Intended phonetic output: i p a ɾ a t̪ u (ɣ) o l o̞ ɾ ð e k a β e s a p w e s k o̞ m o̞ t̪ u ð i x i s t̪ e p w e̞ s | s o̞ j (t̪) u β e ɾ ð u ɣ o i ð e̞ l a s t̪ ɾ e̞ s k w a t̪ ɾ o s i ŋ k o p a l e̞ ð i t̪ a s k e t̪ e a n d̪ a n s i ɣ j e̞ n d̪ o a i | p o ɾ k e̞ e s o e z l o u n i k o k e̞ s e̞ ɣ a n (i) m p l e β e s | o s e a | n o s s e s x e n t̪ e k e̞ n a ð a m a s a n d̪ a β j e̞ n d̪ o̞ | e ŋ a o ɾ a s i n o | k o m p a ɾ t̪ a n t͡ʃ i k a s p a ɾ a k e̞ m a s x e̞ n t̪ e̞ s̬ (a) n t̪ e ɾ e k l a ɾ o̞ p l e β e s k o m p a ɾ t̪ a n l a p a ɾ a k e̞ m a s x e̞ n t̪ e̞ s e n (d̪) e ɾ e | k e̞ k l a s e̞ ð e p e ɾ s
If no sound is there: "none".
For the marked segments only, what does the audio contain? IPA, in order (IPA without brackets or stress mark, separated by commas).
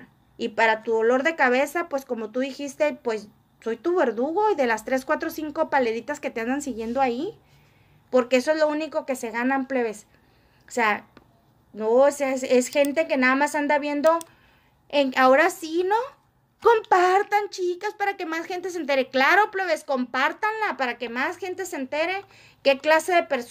ð, t̪, a, e, t̪